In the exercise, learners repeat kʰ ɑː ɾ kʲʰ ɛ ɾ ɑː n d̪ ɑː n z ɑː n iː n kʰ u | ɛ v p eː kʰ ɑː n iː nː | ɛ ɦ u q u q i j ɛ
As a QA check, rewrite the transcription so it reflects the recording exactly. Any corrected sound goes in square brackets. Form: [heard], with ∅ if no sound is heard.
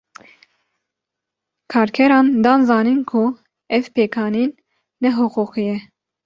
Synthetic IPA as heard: kʰ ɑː ɾ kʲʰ ɛ ɾ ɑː n d̪ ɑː n z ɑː n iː n kʰ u | ɛ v p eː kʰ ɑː n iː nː | ɛ ɦ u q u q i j ɛ